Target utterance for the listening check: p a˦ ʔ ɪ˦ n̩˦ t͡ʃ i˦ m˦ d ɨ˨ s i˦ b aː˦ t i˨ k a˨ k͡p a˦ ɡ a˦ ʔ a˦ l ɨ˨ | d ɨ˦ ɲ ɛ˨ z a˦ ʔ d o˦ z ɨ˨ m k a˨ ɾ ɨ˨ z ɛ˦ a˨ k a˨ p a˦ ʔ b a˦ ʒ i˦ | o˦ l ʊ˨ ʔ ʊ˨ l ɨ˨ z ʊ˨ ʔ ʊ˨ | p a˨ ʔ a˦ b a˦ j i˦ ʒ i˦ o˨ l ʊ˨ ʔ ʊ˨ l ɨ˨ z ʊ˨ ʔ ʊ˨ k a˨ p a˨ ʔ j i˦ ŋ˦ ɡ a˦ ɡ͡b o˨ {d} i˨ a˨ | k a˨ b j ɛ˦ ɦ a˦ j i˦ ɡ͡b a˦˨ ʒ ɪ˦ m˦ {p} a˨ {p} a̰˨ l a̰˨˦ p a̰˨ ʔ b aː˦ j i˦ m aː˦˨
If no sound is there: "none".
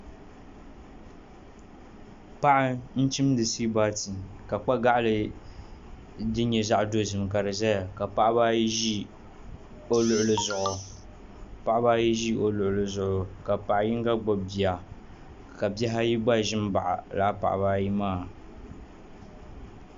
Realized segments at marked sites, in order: b, b, ʔ

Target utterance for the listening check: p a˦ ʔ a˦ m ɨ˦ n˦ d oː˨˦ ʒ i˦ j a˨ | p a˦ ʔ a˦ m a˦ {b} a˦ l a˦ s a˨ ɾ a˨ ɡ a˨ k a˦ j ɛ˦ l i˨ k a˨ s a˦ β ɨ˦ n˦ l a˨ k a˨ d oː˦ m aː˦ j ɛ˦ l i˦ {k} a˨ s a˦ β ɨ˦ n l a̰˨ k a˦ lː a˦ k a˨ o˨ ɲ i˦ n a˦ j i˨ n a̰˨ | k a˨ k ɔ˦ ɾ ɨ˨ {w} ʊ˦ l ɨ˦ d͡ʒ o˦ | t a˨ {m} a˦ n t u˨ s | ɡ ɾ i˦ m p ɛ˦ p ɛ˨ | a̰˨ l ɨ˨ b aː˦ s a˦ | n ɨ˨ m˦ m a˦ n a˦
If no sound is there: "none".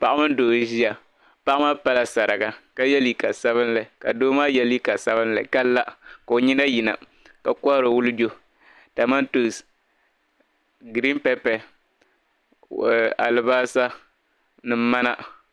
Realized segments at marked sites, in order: p, k, w, m

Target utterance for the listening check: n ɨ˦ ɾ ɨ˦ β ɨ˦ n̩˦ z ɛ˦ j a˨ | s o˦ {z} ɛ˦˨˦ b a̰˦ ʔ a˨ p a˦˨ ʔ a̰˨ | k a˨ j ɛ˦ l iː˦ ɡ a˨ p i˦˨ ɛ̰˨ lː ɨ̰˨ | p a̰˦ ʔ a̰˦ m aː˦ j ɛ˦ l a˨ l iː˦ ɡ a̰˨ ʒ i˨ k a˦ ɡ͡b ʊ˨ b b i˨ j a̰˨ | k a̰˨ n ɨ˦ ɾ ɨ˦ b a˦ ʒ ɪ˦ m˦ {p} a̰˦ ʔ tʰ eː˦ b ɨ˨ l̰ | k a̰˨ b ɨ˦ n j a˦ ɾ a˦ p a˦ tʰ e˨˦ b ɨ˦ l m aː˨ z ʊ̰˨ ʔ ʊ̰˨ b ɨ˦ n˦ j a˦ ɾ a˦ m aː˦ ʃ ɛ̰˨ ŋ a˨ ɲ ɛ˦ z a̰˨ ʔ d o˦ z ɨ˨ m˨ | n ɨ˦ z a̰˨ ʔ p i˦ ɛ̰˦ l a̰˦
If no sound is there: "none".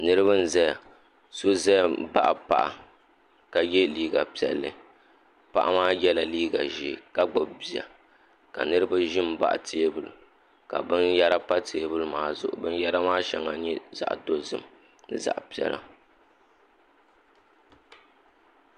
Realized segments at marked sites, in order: z, b

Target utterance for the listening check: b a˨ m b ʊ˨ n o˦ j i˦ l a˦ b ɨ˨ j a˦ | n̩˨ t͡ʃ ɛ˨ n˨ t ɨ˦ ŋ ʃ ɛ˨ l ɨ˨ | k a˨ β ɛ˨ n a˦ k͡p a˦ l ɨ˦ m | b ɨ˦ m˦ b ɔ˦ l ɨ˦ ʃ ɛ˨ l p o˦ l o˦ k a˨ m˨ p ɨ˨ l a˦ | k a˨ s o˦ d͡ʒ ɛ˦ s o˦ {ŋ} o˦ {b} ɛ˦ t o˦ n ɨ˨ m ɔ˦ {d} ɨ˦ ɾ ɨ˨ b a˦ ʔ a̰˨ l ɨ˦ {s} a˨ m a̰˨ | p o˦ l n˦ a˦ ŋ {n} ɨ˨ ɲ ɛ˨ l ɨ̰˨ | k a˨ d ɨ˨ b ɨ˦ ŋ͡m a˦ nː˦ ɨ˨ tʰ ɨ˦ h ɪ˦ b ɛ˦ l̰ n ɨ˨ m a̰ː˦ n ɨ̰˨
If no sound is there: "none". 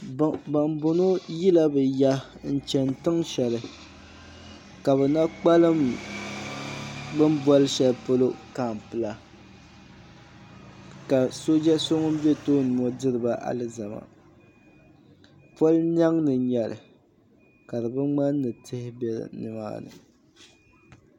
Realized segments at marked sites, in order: ŋ, b, d, z, n

